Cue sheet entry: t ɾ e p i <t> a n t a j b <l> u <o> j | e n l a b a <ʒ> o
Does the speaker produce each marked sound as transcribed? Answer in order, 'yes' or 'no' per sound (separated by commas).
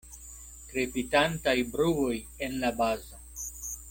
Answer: yes, no, yes, no